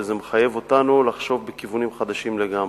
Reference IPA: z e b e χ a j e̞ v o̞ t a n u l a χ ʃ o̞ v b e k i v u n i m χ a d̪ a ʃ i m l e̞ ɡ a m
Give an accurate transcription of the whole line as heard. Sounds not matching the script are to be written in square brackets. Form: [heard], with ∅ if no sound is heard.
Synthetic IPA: z e [m] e χ a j e̞ v o̞ t a n u l a χ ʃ o̞ v b e k i v u n i m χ a d̪ a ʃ i m l e̞ ɡ a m